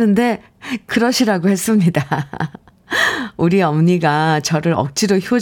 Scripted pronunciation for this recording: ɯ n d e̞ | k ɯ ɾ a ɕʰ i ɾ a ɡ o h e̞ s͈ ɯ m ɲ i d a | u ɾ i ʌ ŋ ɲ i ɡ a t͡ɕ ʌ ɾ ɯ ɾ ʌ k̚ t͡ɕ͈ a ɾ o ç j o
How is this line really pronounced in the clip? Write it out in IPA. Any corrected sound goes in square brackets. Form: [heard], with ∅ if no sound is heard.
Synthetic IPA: ɯ n d e̞ | k ɯ ɾ [ʌ] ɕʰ i ɾ a ɡ o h e̞ s͈ ɯ m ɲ i d a | u ɾ i ʌ [m] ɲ i ɡ a t͡ɕ ʌ ɾ ɯ ɾ ʌ k̚ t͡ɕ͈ [i] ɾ o ç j o